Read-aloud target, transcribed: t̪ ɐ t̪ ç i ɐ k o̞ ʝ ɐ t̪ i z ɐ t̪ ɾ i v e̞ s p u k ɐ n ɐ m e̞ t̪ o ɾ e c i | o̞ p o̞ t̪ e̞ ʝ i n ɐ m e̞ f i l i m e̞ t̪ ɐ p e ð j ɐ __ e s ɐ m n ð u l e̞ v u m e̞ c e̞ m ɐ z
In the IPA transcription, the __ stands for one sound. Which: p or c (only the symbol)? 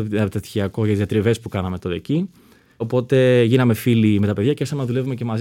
c